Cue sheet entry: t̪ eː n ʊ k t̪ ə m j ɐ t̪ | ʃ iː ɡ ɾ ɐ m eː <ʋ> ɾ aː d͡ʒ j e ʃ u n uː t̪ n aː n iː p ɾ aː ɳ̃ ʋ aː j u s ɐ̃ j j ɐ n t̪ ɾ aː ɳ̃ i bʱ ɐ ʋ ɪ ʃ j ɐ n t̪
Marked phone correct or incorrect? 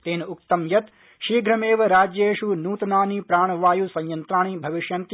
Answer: correct